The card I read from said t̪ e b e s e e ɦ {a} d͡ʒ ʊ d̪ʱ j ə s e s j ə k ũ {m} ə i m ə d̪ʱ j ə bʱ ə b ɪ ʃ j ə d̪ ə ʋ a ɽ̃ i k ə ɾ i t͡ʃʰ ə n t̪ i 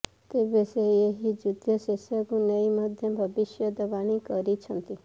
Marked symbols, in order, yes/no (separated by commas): no, no